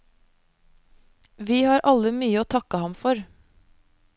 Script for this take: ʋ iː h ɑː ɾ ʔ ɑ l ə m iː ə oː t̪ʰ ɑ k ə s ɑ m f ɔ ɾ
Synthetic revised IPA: ʋ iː h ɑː ɾ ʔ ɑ l ə m yː ə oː t̪ʰ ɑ k ə h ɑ m f ɔ ɾ